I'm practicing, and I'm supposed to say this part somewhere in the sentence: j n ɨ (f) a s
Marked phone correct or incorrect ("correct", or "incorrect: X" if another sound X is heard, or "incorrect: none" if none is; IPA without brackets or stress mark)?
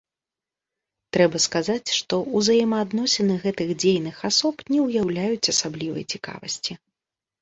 incorrect: x